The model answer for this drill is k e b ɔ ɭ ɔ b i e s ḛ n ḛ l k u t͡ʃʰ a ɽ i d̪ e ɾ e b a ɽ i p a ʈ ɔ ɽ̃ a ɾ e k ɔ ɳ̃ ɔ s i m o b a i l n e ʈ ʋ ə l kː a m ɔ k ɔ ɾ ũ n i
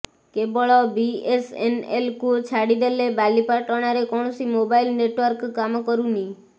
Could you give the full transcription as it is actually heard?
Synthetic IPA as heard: k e b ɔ ɭ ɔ b i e s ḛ n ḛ l k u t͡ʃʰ a ɽ i d̪ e l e b a l i p a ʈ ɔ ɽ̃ a ɾ e k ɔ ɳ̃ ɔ s i m o b a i l n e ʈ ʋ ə ɾ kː a m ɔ k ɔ ɾ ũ n i